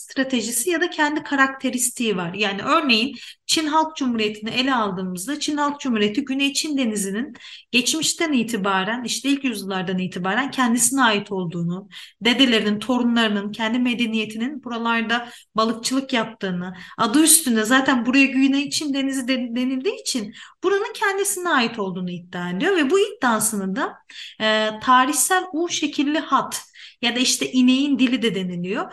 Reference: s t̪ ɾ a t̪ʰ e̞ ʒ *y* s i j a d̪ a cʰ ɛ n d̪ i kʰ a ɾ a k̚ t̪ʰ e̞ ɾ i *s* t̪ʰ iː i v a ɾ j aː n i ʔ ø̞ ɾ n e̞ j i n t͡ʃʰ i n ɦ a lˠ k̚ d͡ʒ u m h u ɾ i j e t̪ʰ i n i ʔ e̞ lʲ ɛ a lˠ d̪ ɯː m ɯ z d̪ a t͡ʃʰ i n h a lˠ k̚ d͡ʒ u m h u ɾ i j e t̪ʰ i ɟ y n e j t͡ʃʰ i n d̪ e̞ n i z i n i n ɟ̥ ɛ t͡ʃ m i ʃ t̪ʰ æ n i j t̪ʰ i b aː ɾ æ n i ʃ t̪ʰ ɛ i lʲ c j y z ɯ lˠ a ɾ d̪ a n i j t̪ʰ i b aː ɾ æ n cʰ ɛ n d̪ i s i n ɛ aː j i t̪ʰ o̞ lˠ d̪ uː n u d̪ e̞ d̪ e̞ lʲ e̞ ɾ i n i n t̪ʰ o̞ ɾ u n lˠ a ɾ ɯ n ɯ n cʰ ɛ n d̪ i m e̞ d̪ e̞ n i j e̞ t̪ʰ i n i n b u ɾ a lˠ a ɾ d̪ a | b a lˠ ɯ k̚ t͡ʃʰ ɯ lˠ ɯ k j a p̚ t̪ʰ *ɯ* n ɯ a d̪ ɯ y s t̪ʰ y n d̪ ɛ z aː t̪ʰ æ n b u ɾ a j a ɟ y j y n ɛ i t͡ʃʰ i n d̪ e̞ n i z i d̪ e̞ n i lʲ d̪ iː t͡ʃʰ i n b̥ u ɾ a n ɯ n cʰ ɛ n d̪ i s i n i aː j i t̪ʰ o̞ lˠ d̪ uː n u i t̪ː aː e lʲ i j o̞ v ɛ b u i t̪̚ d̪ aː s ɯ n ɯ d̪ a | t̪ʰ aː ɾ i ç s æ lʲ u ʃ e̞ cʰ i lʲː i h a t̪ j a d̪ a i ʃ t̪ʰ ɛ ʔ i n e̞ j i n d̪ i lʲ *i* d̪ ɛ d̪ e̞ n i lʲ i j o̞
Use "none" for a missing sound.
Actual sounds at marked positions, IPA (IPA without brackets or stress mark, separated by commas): i, s, ɯː, i